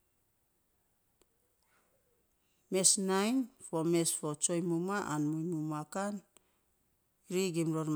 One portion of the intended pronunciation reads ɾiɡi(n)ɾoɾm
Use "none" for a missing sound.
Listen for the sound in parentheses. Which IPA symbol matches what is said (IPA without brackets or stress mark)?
m